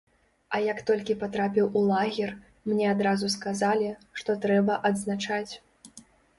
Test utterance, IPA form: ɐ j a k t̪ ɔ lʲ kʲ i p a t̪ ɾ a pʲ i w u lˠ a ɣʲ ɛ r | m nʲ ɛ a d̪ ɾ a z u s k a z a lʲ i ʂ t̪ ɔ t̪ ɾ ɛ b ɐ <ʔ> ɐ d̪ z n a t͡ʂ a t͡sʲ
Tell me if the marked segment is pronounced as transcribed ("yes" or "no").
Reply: yes